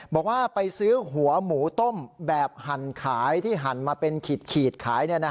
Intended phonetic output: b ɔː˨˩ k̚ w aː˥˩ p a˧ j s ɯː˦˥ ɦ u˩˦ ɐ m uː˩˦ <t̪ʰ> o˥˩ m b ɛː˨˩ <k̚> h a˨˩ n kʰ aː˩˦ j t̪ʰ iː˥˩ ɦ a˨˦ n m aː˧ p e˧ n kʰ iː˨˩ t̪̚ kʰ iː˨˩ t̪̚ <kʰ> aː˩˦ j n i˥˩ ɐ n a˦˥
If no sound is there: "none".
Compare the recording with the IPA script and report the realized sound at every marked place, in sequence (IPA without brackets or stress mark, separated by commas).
t̪, p̚, kʰ